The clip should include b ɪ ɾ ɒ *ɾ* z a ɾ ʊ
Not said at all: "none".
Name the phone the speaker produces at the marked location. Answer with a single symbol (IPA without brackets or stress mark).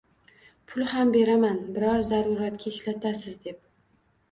ɾ